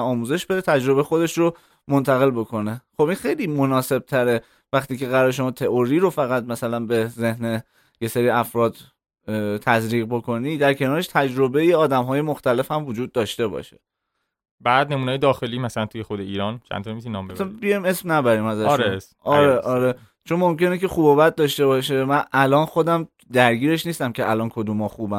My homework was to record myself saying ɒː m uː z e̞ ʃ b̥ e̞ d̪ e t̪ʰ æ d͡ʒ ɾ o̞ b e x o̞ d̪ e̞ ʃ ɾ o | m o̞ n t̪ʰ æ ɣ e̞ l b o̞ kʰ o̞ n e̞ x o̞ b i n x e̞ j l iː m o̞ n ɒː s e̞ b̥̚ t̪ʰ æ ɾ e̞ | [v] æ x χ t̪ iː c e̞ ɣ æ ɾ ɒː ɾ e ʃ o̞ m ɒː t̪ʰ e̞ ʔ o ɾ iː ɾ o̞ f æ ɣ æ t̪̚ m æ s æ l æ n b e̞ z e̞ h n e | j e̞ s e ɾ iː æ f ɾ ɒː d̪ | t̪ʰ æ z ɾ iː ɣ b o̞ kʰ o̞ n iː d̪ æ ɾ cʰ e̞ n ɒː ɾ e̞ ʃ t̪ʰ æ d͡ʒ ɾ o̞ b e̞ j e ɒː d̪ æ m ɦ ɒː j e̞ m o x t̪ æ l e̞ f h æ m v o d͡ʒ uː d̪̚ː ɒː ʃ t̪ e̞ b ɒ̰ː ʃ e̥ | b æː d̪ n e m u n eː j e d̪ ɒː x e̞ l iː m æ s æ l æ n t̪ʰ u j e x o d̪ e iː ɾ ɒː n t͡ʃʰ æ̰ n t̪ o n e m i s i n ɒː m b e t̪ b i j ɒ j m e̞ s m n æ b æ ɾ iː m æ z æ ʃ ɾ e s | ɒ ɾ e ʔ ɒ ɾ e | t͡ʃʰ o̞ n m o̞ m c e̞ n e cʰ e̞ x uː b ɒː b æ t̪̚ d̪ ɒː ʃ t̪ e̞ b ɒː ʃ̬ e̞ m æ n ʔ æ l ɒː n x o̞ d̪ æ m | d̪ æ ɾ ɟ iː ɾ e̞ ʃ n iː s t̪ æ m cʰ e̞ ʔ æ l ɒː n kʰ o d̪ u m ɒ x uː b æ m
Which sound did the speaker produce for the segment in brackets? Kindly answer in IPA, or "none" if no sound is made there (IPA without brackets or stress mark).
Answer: v